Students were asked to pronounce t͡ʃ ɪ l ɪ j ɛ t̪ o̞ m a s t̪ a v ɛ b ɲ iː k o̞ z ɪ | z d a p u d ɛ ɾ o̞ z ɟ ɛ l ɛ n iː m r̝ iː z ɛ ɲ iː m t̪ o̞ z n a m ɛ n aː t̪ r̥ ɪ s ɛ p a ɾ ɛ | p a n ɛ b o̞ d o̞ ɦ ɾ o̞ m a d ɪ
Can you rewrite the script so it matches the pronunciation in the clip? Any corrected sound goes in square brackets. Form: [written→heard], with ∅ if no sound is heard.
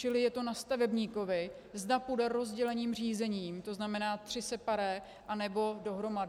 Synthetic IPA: t͡ʃ ɪ l ɪ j ɛ t̪ o̞ [m→n] a s t̪ a v ɛ b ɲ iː k o̞ [z→v] ɪ | z d a p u d ɛ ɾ o̞ z ɟ ɛ l ɛ [n→ɲ] iː m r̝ iː z ɛ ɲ iː m t̪ o̞ z n a m ɛ n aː t̪ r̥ ɪ s ɛ p a ɾ ɛ | [p→ʔ] a n ɛ b o̞ d o̞ ɦ ɾ o̞ m a d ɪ